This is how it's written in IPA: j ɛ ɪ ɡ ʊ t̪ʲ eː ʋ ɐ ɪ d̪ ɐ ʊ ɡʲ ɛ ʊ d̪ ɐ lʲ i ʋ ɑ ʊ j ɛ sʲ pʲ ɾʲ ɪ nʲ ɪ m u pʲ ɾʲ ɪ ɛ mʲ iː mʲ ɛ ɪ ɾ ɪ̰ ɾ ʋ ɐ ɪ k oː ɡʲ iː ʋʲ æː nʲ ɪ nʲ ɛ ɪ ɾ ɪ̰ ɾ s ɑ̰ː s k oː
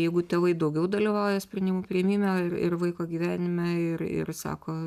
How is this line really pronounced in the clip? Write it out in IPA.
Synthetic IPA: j ɛ ɪ ɡ ʊ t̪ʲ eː ʋ ɐ ɪ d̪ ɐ ʊ ɡʲ ɛ ʊ d̪ ɐ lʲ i ʋ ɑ ʊ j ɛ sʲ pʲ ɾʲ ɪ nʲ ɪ m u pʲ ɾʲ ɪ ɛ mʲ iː mʲ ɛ ɪ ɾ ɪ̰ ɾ ʋ ɐ ɪ k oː ɡʲ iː ʋʲ æː nʲ ɪ mʲ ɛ ɪ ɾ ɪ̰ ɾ s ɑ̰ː k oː